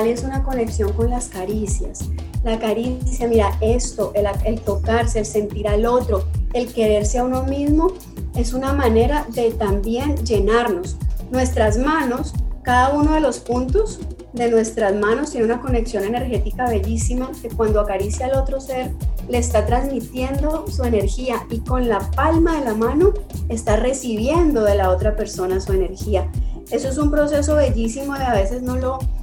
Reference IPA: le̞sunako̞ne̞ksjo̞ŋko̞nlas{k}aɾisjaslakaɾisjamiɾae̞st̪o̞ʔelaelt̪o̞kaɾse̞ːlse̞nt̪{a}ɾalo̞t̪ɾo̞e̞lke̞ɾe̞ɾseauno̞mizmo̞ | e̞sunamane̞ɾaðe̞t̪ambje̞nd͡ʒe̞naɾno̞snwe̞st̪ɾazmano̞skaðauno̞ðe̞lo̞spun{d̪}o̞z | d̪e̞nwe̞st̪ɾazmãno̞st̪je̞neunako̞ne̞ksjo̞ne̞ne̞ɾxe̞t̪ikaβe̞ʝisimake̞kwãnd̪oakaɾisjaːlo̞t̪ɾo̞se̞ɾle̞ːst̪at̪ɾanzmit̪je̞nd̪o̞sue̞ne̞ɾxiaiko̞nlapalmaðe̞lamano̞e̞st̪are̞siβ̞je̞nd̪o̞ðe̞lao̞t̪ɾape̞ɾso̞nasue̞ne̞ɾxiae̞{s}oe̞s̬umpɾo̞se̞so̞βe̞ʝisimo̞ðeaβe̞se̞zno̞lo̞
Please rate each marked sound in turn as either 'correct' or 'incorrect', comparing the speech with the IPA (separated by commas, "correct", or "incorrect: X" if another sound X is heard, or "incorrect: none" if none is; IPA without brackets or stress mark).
correct, incorrect: i, incorrect: t̪, correct